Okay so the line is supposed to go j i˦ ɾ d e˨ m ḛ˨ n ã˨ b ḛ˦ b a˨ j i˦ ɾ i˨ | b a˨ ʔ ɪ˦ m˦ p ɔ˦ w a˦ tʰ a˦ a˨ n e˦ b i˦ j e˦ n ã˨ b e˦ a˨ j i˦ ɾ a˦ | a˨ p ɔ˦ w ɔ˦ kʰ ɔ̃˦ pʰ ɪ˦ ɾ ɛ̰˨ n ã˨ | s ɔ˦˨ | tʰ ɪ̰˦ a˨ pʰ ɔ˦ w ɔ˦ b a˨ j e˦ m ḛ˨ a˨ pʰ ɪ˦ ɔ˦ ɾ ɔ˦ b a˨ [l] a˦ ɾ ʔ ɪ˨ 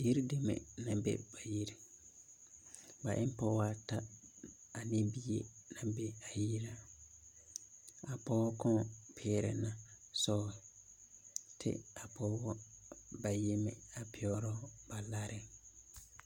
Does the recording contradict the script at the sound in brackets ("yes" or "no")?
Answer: no